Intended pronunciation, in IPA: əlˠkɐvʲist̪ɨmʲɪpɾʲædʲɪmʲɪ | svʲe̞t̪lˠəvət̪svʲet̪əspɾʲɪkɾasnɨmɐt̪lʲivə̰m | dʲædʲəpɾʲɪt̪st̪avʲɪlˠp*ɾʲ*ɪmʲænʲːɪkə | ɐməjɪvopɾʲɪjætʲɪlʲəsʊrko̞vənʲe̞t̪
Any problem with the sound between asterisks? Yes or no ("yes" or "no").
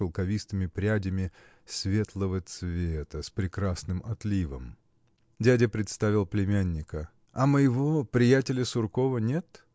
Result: yes